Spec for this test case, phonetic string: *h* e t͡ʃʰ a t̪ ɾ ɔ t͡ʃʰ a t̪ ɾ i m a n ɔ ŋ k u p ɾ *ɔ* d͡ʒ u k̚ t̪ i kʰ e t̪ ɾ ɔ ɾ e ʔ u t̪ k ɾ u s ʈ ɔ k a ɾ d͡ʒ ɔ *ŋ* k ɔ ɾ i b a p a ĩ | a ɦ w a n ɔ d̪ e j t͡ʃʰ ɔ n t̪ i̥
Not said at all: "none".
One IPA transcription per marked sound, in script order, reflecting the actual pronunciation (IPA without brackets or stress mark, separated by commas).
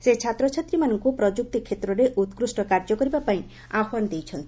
s, ɔ, none